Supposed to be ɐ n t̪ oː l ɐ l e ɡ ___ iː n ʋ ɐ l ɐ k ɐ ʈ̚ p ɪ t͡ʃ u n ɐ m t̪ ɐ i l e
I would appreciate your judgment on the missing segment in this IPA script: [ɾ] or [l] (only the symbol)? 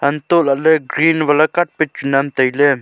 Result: ɾ